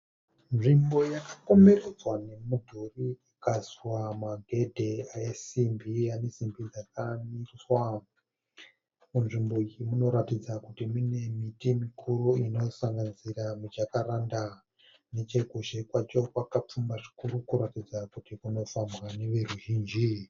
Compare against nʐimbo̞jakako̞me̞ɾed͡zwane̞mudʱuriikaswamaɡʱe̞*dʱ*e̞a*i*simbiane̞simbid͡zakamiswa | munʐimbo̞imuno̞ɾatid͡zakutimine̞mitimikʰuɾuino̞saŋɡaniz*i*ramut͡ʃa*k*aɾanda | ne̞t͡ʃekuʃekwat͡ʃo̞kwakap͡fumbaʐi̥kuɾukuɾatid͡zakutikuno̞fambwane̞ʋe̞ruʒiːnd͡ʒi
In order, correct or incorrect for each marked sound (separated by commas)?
correct, incorrect, correct, correct